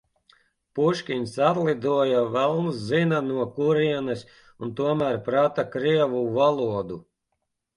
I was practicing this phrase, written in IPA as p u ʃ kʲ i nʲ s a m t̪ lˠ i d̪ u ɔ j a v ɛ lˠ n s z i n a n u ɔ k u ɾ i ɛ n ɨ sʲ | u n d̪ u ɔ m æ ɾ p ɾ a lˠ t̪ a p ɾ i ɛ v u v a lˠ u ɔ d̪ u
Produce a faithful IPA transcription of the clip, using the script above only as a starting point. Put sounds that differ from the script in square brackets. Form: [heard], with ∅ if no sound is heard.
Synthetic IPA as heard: p u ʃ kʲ i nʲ s a [∅] t̪ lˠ i d̪ u ɔ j a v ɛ lˠ n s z i n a n u ɔ k u ɾ i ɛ n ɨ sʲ | u n [t̪] u ɔ m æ ɾ p ɾ a [∅] t̪ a [k] ɾ i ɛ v u v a lˠ u ɔ d̪ u